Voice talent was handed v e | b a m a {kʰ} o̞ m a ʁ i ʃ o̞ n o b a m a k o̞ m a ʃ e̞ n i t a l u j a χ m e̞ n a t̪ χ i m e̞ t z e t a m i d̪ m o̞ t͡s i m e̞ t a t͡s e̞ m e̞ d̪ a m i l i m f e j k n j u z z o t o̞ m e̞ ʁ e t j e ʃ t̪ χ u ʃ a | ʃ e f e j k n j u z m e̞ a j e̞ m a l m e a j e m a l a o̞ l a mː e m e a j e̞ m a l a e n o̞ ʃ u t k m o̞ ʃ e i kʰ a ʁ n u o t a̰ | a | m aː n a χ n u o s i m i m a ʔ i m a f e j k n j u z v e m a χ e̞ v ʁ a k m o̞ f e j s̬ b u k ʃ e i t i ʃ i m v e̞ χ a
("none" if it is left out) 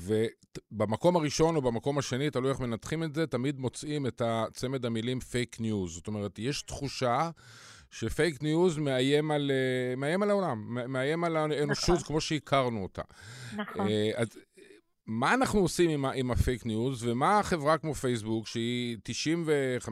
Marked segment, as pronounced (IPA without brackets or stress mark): k